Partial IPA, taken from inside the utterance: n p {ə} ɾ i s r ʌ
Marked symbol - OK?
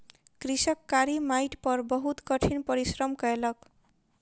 no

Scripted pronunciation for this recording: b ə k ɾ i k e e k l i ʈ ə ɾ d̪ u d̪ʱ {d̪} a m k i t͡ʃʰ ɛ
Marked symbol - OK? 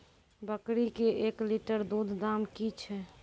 yes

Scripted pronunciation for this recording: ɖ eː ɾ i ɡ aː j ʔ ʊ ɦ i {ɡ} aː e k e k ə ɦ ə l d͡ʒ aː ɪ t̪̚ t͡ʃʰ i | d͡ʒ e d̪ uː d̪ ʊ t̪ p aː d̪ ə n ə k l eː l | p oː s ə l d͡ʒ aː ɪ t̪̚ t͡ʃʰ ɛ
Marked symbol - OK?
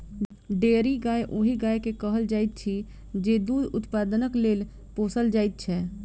yes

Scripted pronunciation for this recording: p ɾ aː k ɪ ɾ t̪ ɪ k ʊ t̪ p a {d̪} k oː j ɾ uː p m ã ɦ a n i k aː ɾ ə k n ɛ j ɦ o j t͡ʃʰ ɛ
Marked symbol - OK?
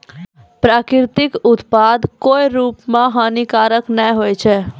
yes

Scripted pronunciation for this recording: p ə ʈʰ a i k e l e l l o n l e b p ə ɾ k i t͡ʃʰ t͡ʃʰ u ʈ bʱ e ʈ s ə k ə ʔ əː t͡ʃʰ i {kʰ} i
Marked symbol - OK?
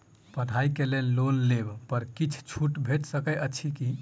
no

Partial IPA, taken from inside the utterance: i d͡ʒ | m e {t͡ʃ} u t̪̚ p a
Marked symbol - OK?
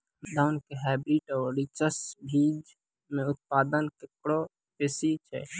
no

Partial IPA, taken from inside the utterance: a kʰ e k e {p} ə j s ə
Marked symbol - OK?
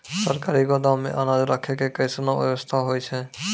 no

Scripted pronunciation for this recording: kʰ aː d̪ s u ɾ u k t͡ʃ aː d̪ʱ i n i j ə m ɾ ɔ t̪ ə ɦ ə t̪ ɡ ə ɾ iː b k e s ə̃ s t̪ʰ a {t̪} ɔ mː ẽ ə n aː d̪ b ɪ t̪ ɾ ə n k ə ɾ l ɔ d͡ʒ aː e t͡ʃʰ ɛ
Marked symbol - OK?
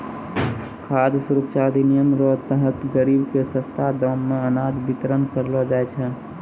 no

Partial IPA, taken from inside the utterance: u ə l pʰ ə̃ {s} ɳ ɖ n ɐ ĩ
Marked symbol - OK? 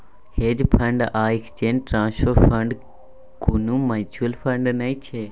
no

